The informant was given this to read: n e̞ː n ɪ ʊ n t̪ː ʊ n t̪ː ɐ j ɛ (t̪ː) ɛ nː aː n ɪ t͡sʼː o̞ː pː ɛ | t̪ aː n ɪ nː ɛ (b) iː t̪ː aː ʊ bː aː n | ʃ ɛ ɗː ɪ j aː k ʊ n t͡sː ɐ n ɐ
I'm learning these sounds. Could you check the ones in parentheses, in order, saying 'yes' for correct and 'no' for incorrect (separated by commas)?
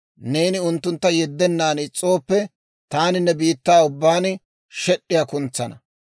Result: no, yes